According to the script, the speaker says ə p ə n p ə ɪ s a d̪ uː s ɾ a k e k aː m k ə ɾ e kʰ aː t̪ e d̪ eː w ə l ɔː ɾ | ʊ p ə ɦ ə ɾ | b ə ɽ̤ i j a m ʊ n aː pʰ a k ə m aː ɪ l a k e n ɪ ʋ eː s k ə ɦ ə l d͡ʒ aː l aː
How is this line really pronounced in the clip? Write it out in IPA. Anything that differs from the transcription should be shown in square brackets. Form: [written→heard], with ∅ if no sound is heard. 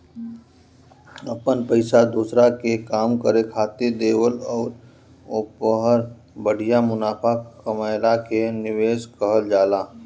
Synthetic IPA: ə p ə n p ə ɪ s a d̪ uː s ɾ a k e k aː m k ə ɾ e kʰ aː t̪ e d̪ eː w ə l ɔː ɾ | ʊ p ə ɦ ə ɾ | b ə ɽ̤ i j a m ʊ n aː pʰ a k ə m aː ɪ l a k e n ɪ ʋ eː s k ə ɦ ə l d͡ʒ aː l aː